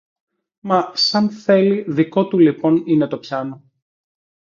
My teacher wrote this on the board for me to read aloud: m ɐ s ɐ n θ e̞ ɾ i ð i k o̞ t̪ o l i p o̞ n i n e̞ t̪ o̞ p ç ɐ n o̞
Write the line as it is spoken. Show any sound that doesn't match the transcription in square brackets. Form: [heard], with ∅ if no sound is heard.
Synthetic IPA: m ɐ s ɐ n θ e̞ [l] i ð i k o̞ t̪ [u] l i p o̞ n i n e̞ t̪ o̞ p ç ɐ n o̞